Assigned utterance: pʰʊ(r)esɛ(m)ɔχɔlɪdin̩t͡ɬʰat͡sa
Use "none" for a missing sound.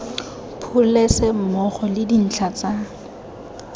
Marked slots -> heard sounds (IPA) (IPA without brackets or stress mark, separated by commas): l, m